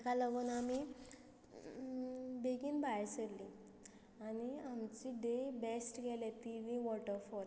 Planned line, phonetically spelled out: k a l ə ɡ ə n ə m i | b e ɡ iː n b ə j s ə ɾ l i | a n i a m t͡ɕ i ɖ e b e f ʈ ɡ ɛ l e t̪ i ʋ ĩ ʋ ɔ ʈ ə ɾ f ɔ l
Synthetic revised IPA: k a l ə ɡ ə n a m i | b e ɡ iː n b a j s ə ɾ l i | a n i a m t͡ɕ i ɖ e b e s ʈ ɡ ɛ l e t̪ i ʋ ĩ ʋ ɔ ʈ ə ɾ f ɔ ɾ

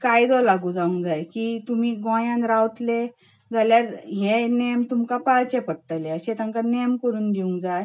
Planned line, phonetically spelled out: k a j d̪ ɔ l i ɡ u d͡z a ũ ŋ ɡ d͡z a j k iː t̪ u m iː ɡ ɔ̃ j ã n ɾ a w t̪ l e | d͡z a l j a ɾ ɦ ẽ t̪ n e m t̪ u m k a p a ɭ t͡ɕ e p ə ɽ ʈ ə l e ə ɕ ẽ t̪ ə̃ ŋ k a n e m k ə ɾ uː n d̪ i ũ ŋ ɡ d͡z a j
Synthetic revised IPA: k a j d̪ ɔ l a ɡ u d͡z a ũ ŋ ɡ d͡z a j k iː t̪ u m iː ɡ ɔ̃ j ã n ɾ a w t̪ l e | d͡z a l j a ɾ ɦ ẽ n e m t̪ u m k a p a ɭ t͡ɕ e p ə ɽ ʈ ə l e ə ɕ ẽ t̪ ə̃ ŋ k a n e m k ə ɾ uː n d̪ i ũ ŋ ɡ d͡z a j

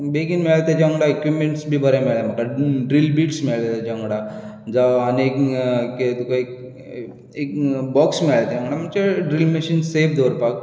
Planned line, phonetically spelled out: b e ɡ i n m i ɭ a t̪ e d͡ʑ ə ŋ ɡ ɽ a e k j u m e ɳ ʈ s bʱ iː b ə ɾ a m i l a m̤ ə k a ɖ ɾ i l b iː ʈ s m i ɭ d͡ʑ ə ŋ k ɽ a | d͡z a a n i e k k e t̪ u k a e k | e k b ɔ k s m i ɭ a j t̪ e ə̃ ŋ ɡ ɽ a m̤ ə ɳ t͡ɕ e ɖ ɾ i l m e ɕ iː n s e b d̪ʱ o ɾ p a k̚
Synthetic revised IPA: b e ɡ i n m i ɭ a t̪ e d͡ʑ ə ŋ ɡ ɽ a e k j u m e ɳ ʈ s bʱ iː b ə ɾ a m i ɭ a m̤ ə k a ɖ ɾ i l b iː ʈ s m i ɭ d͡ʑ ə ŋ ɡ ɽ a | d͡z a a n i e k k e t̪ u k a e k | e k b ɔ k s m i ɭ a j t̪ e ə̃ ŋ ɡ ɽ a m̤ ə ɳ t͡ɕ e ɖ ɾ i l m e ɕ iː n s e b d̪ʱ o ɾ p a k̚

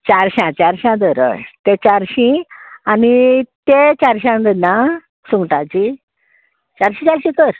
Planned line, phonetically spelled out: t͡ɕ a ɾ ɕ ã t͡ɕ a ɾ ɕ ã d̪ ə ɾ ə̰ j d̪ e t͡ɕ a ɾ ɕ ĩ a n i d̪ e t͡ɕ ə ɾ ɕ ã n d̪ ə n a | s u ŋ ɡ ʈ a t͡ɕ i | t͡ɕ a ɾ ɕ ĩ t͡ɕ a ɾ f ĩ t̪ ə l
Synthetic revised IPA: t͡ɕ a ɾ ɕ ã t͡ɕ a ɾ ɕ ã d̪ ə ɾ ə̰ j t̪ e t͡ɕ a ɾ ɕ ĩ a n i t̪ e t͡ɕ a ɾ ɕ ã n d̪ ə n a | s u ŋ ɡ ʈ a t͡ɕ i | t͡ɕ a ɾ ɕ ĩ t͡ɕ a ɾ ɕ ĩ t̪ ə ɾ

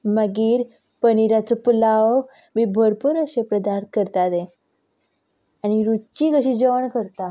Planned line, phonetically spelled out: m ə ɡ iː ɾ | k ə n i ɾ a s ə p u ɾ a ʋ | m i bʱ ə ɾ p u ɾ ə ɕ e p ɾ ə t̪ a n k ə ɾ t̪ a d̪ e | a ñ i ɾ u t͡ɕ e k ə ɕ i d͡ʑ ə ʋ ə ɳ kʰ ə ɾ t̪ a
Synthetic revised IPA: m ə ɡ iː ɾ | p ə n i ɾ a t͡s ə p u l a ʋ | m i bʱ ə ɾ p u ɾ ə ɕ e p ɾ ə d̪ a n k ə ɾ t̪ a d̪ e | a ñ i ɾ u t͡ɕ i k ə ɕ i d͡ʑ ə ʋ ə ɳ k ə ɾ t̪ a

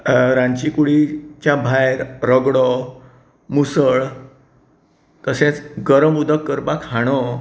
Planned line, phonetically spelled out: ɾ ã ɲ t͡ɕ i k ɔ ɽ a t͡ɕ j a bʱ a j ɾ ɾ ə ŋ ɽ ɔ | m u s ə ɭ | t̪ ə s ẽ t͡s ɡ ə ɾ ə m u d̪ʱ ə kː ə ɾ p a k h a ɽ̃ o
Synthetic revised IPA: ɾ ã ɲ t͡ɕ i k u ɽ i t͡ɕ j a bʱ a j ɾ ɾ ə ɡ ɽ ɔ | m u s ə ɭ | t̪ ə s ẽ t͡s ɡ ə ɾ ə m u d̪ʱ ə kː ə ɾ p a k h a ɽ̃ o

